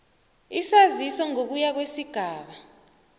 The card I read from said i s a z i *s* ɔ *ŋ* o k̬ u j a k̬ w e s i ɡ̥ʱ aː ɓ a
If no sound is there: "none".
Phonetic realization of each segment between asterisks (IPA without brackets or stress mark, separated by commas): s, ŋ